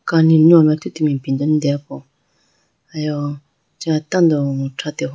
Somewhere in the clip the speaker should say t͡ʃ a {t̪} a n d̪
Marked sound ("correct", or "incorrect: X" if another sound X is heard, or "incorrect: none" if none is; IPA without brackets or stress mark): correct